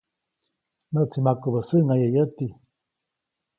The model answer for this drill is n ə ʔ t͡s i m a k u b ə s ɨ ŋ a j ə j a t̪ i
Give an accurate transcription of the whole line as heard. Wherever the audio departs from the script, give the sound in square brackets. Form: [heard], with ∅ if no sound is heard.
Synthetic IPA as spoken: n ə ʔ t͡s i m a k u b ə s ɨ ŋ a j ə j [ə] t̪ i